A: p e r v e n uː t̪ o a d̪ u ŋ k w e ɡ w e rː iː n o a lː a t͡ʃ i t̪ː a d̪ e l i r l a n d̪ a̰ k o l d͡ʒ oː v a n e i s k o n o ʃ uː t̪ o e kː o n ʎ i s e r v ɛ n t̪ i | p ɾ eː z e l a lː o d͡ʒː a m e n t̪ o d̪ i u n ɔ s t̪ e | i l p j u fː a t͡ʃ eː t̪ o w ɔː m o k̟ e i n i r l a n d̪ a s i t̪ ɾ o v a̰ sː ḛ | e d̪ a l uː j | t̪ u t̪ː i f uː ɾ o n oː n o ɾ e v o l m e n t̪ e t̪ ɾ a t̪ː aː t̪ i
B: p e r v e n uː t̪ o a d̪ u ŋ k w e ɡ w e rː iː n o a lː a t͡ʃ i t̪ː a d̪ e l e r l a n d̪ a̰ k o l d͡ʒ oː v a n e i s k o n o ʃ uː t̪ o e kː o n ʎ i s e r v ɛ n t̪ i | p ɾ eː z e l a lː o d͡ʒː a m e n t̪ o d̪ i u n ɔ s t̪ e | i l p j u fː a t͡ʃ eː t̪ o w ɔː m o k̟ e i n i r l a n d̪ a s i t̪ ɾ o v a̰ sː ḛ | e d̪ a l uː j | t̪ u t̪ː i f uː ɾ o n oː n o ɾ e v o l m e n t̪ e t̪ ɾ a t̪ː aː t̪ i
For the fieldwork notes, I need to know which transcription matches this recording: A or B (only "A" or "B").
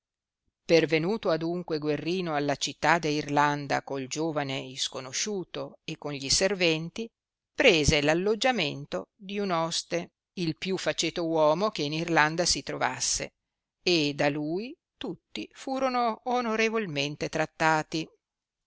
A